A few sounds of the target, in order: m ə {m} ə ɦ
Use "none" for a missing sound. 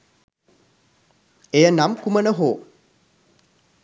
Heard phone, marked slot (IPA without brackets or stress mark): n